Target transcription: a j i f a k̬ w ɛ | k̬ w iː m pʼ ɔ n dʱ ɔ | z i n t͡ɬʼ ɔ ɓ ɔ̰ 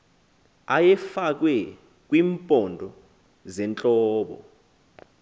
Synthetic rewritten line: a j ɛ f a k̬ w ɛ | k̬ w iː m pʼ ɔ n dʱ ɔ | z ɛ n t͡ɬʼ ɔː ɓ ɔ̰